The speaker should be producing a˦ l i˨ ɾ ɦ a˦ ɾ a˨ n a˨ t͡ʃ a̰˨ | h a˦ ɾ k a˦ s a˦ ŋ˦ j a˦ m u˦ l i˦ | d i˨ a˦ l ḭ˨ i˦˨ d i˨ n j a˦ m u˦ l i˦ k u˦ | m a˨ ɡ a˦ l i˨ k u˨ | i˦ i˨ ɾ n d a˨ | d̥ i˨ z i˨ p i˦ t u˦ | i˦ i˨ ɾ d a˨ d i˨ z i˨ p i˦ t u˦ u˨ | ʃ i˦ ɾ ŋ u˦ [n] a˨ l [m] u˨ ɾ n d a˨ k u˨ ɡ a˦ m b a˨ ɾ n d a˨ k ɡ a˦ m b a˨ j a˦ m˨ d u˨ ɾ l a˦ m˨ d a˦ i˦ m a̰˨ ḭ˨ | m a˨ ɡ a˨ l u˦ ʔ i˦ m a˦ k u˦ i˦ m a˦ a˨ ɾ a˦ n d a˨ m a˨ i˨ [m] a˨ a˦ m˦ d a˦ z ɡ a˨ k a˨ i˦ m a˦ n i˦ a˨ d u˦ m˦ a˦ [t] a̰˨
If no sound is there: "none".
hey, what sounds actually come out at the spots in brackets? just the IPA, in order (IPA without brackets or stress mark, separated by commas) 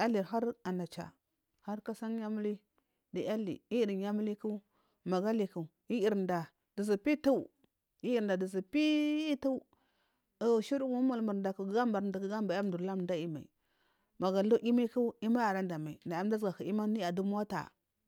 m, m, n, t